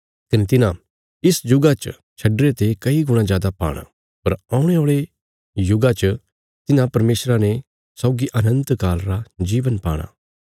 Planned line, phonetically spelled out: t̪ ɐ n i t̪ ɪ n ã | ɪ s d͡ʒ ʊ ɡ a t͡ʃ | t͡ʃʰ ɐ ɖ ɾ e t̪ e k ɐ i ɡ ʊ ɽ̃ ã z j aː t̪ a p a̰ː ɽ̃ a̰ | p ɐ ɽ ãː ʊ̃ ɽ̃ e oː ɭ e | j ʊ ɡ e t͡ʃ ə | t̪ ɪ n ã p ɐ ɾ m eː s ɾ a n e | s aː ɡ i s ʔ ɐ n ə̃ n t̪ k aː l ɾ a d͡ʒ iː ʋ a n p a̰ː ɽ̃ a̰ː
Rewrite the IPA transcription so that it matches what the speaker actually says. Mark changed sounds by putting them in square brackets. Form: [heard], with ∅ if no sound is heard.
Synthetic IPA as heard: t̪ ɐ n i t̪ ɪ n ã | ɪ s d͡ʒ ʊ ɡ a t͡ʃ | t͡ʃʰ ɐ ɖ ɾ e t̪ e k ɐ i ɡ ʊ ɽ̃ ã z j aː [d̪] a p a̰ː ɽ̃ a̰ | p ɐ [ɾ] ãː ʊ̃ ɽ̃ e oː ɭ e | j ʊ ɡ [a] t͡ʃ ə | t̪ ɪ n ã p ɐ ɾ m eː s ɾ a n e | s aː ɡ i [∅] ʔ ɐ n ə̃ n t̪ k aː l ɾ a d͡ʒ iː ʋ [ə] n p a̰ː ɽ̃ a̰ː